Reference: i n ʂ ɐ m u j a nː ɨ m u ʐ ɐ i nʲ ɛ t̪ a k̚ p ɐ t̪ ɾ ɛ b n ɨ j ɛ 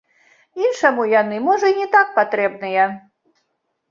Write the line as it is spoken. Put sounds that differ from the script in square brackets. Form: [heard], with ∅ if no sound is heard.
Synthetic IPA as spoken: i n ʂ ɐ m u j a [n] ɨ m [ɔ] ʐ ɐ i nʲ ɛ t̪ a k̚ p [a] t̪ ɾ ɛ b n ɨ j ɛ